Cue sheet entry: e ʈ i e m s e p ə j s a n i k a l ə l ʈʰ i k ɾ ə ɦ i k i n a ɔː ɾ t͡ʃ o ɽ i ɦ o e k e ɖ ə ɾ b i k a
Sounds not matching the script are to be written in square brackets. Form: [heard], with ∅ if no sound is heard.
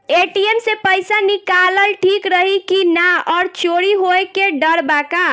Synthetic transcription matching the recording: e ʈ i e m s e p ə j s a n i k a l ə l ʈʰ i k ɾ ə ɦ i k i n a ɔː ɾ t͡ʃ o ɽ i ɦ o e k e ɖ ə ɾ b [a] k a

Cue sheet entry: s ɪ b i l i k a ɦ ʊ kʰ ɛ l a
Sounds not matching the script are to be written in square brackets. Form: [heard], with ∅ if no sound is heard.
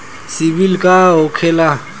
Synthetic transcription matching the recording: s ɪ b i l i [kʼ] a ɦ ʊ kʰ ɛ l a

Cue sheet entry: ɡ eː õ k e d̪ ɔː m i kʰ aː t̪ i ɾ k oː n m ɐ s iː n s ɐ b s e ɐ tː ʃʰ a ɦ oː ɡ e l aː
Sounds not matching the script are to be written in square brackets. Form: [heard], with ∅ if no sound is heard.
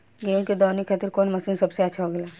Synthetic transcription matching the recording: ɡ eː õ k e d̪ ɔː [n] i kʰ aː t̪ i ɾ k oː n m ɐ s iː n s ɐ b s e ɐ tː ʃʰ a ɦ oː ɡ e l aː

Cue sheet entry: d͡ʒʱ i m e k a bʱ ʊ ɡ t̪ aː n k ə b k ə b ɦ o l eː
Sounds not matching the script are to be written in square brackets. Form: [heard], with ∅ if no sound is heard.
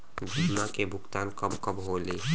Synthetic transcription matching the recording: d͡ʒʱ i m [a] k [e] bʱ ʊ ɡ t̪ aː n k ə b k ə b ɦ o l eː

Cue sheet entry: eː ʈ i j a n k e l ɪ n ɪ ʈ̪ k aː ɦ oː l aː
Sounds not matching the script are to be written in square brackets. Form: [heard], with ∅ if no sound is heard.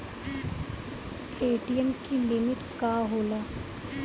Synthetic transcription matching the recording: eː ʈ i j [ə] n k [i] l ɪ [m] ɪ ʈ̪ k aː ɦ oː l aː

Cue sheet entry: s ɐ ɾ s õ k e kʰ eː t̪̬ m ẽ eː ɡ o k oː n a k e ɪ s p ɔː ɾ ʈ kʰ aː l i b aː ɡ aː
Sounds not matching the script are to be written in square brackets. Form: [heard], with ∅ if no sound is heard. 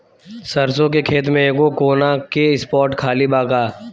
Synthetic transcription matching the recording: s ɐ ɾ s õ k e kʰ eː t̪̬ m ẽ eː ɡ o k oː n a k e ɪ s p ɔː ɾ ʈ kʰ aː l i b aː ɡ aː

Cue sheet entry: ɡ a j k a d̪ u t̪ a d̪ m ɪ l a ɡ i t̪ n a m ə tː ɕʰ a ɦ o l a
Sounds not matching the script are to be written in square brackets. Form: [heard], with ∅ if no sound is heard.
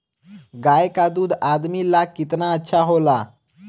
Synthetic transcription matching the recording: ɡ a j k a d̪ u [d̪] a d̪ m [i] l a [k] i t̪ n a [∅] ə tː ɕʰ a ɦ o l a

